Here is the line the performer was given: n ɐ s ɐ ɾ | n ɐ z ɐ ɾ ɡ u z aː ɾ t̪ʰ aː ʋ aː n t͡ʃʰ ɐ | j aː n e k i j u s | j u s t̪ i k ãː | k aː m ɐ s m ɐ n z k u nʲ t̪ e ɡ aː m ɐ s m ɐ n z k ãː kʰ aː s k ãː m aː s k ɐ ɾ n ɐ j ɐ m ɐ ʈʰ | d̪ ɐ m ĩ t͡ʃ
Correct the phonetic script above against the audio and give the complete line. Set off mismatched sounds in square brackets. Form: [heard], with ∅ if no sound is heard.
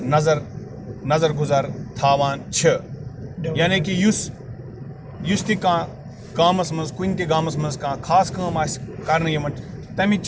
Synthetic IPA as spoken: n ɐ [z] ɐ ɾ | n ɐ z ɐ ɾ ɡ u z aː ɾ t̪ʰ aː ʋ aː n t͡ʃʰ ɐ | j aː n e k i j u s | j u s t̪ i k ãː | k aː m ɐ s m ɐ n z k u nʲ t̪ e ɡ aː m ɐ s m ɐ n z k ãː kʰ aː s k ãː m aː s k ɐ ɾ n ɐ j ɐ m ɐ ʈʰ | [t̪] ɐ m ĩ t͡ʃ